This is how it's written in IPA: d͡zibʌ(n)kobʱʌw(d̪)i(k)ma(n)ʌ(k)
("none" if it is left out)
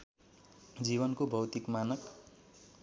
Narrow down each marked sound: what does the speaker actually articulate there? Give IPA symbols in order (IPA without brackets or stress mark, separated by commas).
n, t̪, k, n, k